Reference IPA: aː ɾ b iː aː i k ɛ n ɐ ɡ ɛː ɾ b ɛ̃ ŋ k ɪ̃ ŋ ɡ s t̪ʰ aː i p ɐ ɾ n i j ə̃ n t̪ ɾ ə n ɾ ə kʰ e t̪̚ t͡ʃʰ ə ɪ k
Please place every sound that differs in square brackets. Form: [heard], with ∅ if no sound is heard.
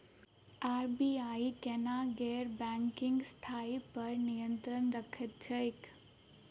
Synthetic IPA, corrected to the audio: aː ɾ b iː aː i k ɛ n [a] ɡ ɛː ɾ b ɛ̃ ŋ k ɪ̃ ŋ ɡ s t̪ʰ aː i p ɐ ɾ n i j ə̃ n t̪ ɾ ə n ɾ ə kʰ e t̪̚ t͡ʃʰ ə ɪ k